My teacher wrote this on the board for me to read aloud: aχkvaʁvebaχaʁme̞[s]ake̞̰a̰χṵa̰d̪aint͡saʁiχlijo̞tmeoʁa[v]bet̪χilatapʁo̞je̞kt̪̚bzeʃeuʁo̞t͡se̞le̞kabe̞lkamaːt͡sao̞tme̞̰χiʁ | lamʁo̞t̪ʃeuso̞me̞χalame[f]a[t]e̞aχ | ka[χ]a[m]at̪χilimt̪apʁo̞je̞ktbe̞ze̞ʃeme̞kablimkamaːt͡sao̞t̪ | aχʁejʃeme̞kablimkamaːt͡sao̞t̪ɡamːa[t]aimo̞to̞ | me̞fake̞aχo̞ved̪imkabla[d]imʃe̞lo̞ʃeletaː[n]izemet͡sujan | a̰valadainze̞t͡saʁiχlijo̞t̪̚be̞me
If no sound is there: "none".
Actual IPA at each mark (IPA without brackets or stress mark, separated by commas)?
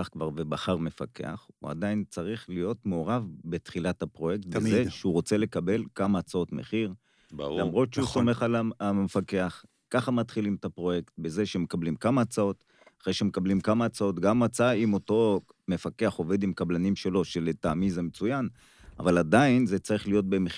f, v, f, k, χ, m, t͡s, n, m